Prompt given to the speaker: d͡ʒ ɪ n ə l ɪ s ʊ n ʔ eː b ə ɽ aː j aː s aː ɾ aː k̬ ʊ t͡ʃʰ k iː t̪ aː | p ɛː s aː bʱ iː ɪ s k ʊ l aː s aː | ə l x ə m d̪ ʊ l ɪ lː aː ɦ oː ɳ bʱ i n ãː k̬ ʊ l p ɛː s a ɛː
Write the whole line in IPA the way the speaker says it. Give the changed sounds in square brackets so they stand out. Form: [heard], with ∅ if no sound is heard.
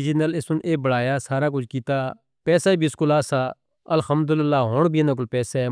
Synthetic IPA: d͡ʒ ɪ n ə l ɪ s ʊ n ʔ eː b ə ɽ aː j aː s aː ɾ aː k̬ ʊ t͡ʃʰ k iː t̪ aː | p ɛː s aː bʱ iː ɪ s k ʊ l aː s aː | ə l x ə m d̪ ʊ l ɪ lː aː ɦ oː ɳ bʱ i n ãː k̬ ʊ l p ɛː s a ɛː